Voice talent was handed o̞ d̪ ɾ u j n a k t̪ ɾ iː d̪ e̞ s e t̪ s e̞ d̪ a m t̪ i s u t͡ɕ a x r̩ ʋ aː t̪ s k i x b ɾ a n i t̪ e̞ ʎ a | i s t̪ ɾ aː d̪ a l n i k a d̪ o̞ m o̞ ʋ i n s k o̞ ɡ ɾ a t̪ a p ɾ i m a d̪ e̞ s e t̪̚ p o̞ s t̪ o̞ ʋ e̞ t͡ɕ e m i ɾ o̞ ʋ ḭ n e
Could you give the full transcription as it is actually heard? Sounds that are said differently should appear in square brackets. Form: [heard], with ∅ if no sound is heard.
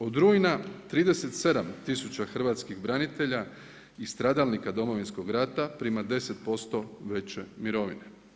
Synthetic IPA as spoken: o̞ d̪ ɾ u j n a [∅] t̪ ɾ iː d̪ e̞ s e t̪ s e̞ d̪ a m t̪ i s u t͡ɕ a x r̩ ʋ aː t̪ s k i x b ɾ a n i t̪ e̞ ʎ a | i s t̪ ɾ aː d̪ a l n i k a d̪ o̞ m o̞ ʋ i n s k o̞ ɡ ɾ a t̪ a p ɾ i m a d̪ e̞ s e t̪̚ p o̞ s t̪ o̞ ʋ e̞ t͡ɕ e m i ɾ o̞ ʋ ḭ n e